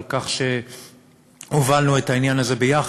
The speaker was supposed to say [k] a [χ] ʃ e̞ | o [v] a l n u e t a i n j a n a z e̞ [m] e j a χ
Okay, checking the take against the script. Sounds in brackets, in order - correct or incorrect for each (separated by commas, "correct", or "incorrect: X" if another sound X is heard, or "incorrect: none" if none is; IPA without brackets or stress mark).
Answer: correct, correct, correct, incorrect: b